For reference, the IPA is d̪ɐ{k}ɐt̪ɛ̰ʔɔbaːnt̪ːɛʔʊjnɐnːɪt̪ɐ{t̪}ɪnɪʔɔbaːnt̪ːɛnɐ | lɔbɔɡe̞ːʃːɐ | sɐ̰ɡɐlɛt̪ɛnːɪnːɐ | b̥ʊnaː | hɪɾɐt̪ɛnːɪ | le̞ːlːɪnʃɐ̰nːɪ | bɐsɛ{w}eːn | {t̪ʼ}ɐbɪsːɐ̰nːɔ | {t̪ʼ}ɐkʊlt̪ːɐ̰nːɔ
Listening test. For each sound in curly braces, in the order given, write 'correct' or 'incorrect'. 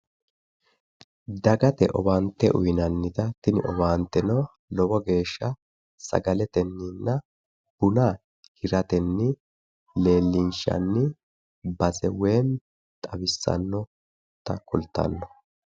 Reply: incorrect, correct, correct, correct, incorrect

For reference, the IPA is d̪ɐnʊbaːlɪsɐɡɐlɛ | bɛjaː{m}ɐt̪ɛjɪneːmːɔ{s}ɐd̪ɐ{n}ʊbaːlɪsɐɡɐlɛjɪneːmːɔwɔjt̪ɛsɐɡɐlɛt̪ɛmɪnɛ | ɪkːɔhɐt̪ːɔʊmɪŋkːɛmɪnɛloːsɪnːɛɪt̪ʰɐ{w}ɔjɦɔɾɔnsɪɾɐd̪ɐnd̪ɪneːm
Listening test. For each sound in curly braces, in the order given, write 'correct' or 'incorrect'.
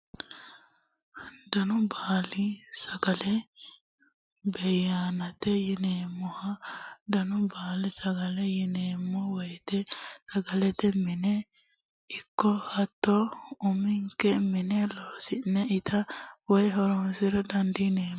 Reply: incorrect, incorrect, correct, correct

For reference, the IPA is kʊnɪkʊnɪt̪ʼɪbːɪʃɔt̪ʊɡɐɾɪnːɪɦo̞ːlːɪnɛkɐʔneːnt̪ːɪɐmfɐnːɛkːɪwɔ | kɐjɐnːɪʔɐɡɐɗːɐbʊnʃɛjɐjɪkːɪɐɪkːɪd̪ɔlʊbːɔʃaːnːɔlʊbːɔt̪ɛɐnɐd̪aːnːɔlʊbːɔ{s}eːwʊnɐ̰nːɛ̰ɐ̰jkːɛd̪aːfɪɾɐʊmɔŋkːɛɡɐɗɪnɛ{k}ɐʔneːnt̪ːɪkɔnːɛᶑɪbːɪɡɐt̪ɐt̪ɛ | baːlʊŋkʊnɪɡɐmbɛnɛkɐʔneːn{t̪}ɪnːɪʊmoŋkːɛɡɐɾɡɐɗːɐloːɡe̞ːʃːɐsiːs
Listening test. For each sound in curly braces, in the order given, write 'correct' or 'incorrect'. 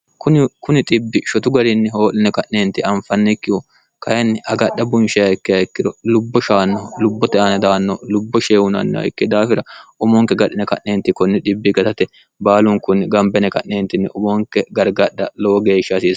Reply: incorrect, correct, correct

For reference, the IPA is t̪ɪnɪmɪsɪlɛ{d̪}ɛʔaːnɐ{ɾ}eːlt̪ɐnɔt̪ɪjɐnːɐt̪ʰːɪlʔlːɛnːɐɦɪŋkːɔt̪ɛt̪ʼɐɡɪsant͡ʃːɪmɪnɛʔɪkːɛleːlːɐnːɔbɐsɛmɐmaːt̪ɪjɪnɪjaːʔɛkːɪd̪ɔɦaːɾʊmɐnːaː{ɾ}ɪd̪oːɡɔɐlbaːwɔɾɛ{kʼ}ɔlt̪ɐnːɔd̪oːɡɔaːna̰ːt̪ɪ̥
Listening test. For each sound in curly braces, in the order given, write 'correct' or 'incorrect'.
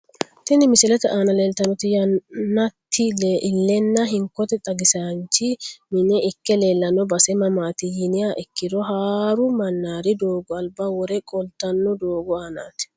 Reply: incorrect, incorrect, correct, correct

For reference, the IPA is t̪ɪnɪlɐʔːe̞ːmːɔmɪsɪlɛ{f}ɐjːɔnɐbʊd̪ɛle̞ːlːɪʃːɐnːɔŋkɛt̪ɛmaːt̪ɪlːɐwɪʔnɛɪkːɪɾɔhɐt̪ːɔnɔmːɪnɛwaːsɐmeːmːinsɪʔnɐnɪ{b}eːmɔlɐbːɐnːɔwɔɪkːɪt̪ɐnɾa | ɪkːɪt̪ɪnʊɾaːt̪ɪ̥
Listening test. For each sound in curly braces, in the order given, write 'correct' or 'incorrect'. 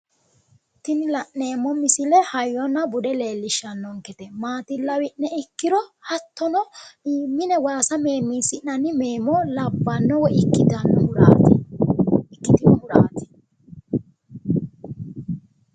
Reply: incorrect, incorrect

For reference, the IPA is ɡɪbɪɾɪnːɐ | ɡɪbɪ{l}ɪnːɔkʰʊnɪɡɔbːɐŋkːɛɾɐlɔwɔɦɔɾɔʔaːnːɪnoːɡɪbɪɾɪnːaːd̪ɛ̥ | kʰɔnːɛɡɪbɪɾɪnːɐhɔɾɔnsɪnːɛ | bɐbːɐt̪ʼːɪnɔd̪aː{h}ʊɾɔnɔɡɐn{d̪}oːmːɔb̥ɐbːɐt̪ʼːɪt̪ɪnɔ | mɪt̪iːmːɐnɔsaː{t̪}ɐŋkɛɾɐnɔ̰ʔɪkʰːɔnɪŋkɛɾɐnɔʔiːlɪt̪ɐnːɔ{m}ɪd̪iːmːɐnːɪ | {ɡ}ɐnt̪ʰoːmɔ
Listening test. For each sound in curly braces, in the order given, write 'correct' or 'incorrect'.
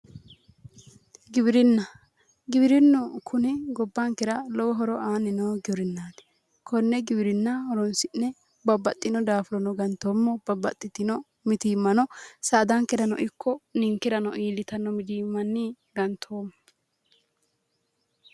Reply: incorrect, incorrect, incorrect, incorrect, correct, correct

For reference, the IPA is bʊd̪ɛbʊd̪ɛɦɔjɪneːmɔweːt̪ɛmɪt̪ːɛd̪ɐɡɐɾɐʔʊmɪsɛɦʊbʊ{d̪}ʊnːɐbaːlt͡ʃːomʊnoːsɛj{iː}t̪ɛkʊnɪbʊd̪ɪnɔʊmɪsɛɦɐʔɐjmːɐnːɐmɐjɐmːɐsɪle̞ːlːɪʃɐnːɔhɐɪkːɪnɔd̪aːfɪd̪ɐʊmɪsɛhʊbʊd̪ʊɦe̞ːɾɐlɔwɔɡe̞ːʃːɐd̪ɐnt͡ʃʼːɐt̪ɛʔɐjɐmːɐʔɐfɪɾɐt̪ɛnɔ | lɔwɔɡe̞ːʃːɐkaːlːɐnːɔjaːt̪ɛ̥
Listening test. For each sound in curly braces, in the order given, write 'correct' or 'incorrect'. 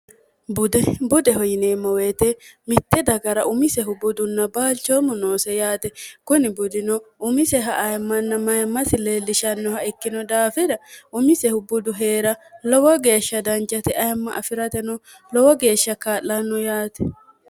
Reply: correct, incorrect

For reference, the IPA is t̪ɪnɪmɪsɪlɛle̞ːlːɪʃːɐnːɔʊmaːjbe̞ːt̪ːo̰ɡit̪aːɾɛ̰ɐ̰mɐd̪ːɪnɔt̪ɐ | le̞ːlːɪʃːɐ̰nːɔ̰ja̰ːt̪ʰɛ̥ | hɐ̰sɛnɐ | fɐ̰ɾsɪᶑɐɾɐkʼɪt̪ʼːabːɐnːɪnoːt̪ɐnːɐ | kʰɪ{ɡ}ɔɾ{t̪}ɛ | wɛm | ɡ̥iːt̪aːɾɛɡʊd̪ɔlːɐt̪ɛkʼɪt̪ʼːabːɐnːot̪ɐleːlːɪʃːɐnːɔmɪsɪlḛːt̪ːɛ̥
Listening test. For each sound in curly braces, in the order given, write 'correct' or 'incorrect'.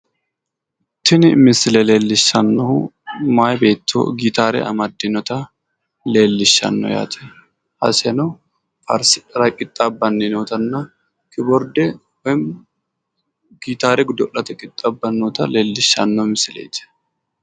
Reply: incorrect, incorrect

